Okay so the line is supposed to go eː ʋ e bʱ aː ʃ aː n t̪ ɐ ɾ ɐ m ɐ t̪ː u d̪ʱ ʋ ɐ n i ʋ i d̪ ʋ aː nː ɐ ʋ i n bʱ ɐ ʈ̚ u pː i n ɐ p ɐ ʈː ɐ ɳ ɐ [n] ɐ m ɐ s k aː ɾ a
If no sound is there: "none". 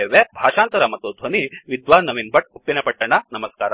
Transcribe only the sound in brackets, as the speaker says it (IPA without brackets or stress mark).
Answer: n